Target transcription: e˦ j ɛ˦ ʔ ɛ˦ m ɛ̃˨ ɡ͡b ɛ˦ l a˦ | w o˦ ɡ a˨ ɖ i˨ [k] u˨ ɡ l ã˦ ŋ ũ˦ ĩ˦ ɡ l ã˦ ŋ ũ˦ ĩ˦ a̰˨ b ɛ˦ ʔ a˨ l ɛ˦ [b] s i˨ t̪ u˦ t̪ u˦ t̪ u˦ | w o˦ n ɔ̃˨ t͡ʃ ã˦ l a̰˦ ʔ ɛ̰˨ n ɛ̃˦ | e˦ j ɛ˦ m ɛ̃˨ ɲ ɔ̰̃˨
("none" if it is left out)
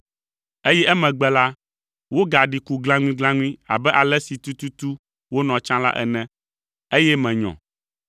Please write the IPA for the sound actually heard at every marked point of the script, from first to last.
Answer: k, none

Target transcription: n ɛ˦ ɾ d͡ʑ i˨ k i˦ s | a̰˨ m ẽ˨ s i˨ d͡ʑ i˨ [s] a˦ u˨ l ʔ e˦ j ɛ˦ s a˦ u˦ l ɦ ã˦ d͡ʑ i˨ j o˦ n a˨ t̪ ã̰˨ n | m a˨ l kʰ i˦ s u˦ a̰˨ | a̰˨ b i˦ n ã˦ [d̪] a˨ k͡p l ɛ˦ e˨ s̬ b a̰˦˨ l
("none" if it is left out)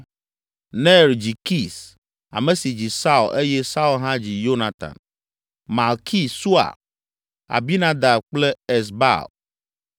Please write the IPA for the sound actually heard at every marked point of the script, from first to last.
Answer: s, d̪

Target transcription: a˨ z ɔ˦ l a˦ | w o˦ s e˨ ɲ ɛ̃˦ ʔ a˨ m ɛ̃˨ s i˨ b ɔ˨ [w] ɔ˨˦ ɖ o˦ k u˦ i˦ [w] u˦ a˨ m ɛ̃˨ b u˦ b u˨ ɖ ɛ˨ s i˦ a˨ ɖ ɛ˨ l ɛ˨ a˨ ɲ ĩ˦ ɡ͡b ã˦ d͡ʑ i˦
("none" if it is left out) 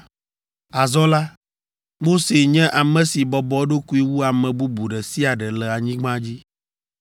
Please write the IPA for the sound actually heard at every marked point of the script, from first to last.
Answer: b, w

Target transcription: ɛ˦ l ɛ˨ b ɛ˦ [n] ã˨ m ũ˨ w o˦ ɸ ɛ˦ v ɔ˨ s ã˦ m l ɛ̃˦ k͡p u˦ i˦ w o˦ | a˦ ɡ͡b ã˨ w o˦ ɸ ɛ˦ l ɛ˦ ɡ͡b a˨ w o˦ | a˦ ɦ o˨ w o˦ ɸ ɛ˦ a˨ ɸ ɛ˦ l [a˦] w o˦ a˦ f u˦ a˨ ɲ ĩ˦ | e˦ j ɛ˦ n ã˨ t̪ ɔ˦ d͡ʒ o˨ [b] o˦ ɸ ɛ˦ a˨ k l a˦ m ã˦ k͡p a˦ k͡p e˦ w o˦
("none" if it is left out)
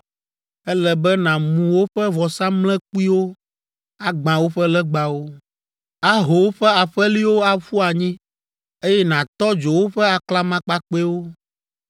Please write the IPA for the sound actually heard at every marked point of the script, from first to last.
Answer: n, i˦, w

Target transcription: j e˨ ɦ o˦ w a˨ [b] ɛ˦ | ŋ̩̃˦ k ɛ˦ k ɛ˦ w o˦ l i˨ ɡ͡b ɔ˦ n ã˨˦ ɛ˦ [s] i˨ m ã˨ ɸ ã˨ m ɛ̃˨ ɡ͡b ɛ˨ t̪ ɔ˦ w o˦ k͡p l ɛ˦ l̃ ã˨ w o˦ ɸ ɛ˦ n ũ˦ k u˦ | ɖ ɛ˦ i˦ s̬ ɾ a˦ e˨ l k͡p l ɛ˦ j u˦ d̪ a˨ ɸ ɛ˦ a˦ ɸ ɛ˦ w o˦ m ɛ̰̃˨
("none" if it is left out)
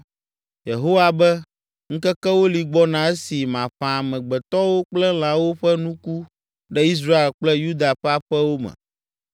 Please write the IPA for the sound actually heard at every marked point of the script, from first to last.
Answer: b, s

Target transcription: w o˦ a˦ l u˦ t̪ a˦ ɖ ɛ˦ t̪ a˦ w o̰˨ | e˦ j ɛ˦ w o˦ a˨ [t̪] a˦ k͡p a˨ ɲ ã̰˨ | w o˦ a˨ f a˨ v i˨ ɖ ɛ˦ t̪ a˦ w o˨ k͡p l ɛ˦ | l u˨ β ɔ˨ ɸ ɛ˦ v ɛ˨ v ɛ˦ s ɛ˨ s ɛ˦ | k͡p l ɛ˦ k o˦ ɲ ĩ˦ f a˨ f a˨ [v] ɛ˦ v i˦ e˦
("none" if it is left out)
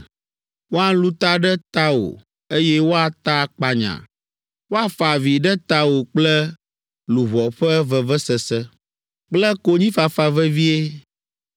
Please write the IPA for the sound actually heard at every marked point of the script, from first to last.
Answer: t̪, v

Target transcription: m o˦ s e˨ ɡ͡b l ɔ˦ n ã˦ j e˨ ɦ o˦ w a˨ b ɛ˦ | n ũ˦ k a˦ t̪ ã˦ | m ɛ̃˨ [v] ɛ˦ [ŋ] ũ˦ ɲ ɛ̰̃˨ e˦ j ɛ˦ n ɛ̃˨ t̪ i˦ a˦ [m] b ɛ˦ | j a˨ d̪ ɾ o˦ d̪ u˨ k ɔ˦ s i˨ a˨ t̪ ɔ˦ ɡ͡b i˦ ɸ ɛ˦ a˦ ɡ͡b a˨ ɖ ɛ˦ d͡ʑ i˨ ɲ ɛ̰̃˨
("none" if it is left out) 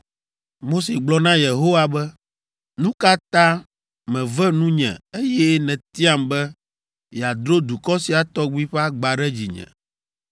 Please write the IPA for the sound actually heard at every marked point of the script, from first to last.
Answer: v, n, m

